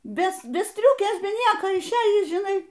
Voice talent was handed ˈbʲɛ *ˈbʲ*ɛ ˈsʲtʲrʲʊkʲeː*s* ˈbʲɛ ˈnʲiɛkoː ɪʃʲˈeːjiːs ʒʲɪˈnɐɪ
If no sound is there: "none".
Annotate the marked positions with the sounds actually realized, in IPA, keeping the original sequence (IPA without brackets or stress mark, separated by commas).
bʲ, s